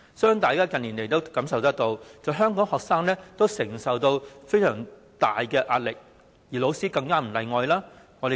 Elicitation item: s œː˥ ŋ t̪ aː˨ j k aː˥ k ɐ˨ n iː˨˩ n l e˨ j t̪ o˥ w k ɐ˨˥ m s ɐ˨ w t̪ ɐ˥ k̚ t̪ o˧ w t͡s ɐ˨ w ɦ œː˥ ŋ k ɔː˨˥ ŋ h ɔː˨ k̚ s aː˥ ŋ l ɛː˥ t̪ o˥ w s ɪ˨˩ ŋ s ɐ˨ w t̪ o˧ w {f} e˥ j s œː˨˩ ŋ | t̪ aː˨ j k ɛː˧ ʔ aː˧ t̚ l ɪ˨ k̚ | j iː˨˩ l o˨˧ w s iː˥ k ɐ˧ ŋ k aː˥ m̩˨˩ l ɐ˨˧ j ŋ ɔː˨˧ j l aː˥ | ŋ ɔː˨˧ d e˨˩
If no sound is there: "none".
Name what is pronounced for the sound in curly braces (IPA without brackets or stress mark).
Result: f